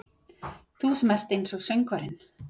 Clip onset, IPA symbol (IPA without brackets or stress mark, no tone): θ